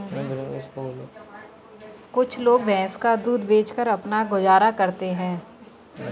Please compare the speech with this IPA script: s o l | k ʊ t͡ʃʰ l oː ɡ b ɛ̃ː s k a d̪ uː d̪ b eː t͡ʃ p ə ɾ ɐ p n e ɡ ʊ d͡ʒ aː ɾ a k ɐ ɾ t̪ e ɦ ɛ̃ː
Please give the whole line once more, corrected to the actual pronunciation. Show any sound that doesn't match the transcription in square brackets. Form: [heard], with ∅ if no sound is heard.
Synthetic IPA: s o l | k ʊ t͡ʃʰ l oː ɡ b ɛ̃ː s k a d̪ uː d̪ b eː t͡ʃ [k] ə ɾ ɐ p n [a] ɡ ʊ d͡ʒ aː ɾ a k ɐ ɾ t̪ e ɦ ɛ̃ː